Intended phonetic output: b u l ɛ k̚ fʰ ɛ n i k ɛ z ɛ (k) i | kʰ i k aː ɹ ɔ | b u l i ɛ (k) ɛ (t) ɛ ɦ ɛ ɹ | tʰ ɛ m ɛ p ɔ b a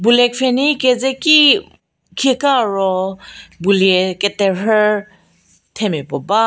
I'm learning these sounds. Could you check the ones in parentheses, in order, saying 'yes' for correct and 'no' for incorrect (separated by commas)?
yes, yes, yes